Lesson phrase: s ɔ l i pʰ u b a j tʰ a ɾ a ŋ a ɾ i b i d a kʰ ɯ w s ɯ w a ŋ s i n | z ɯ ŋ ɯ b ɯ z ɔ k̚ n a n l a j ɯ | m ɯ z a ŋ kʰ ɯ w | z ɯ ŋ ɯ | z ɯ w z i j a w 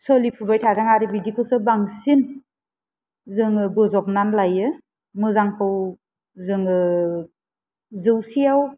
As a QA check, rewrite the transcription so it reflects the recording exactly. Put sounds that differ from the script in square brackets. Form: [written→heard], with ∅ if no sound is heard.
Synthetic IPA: s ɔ l i pʰ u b a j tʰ a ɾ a ŋ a ɾ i b i d [a→i] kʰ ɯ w s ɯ [w→b] a ŋ s i n | z ɯ ŋ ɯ b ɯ z ɔ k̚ n a n l a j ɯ | m ɯ z a ŋ kʰ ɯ w | z ɯ ŋ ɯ | z ɯ w [z→s] i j a w